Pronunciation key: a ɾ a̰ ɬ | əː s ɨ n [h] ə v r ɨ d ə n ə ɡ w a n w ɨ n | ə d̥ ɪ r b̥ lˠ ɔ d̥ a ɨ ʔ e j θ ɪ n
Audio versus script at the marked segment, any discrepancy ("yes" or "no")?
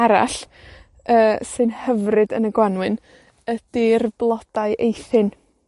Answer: no